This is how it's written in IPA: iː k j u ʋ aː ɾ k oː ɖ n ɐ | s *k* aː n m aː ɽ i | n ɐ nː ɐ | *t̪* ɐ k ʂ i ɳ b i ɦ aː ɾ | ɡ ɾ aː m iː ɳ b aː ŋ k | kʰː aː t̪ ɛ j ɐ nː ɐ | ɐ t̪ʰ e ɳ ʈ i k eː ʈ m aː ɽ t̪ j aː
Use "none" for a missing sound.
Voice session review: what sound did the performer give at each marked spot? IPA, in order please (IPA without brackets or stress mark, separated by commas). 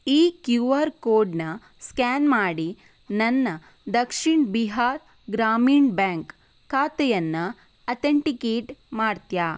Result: k, d̪